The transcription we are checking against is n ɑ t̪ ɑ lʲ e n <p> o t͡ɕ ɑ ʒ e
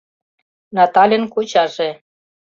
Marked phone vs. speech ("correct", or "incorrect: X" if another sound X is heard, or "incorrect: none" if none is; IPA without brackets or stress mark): incorrect: k